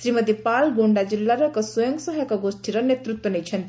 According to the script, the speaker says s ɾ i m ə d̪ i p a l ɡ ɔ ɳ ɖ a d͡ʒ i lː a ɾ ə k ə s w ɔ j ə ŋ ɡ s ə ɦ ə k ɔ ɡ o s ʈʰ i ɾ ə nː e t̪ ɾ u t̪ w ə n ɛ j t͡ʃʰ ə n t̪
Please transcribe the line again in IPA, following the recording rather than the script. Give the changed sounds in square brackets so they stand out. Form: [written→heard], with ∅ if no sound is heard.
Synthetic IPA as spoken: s ɾ i m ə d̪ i p a l ɡ [ɔ→o] ɳ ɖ a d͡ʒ i lː a ɾ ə k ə s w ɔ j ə ŋ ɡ s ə ɦ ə k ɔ ɡ o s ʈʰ i ɾ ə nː e t̪ ɾ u t̪ w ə n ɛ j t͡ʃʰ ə n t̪